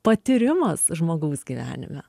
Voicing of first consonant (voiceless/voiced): voiceless